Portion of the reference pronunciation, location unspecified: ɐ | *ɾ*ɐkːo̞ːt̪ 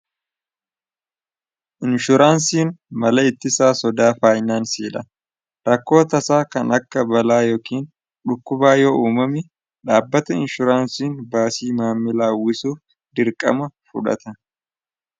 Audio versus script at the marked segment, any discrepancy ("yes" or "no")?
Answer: no